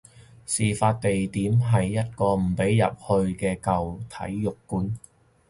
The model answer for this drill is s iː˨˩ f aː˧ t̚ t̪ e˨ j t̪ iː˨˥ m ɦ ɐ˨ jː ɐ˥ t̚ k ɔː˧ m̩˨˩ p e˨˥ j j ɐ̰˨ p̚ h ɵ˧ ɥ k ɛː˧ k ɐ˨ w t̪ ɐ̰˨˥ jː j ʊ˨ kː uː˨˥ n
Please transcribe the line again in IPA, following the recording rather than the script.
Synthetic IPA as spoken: s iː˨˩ f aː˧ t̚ t̪ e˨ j t̪ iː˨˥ m ɦ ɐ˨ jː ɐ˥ t̚ k ɔː˧ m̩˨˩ p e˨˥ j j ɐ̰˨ p̚ h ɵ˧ ɥ k ɛː˧ k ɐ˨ w t̪ʰ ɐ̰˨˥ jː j ʊ˨ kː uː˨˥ n